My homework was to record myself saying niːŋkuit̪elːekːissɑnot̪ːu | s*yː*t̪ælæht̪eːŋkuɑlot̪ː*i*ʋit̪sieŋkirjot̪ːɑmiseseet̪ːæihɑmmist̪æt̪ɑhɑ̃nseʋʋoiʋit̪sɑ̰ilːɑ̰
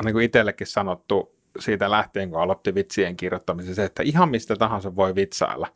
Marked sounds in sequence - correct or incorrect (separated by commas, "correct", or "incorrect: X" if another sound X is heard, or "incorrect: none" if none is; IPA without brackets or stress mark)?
incorrect: iː, correct